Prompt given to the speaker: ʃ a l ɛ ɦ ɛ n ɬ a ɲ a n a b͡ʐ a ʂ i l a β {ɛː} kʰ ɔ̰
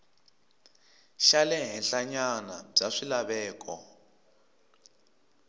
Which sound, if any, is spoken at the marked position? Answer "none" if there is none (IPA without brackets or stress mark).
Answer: ɛː